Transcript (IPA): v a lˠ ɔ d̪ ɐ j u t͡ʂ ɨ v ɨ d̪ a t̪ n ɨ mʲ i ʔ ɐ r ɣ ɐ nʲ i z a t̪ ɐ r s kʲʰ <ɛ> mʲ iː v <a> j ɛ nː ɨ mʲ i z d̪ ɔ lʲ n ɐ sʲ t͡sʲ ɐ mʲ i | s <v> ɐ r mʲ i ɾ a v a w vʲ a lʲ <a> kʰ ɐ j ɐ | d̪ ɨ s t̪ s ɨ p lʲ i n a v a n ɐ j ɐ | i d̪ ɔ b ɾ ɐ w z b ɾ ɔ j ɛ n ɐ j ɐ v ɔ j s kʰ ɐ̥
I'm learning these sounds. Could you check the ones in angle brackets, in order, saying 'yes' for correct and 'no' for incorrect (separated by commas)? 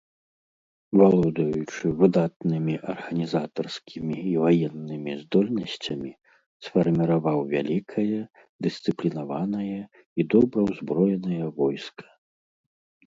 no, yes, no, no